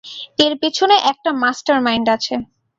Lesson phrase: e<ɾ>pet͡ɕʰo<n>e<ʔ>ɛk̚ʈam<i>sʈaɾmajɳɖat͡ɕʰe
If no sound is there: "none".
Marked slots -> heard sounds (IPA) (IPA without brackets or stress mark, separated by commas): ɾ, n, ʔ, a